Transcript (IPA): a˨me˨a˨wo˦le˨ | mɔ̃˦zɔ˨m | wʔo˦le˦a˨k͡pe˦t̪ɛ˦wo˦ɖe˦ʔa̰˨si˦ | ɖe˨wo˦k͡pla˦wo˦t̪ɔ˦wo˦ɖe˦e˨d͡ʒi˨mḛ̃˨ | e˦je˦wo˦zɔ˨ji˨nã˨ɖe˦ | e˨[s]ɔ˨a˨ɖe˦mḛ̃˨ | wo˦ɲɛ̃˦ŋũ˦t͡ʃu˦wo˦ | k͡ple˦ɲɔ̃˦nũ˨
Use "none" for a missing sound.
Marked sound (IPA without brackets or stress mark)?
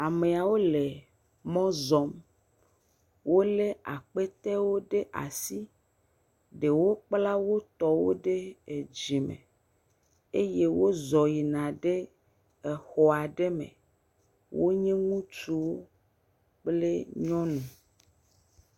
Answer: x